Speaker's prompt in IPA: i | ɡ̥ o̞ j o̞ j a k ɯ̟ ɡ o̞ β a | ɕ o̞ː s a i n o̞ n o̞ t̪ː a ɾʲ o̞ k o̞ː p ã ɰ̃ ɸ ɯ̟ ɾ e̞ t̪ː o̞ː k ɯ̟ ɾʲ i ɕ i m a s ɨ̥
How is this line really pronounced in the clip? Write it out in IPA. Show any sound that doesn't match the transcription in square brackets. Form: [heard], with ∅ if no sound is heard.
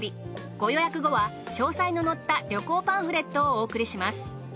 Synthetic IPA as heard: i | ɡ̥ o̞ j o̞ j a k ɯ̟ ɡ o̞ β a | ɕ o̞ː s a i n o̞ n o̞ t̪ː a ɾʲ o̞ k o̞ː p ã ɰ̃ ɸ ɯ̟ ɾ e̞ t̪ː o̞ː k ɯ̟ ɾʲ i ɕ i m a s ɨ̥